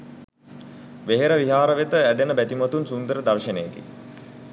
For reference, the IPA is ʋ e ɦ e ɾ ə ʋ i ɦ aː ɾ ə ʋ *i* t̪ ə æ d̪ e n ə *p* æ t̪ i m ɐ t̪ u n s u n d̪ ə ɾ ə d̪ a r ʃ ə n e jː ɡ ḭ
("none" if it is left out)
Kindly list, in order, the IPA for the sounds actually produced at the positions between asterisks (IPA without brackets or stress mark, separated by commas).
e, b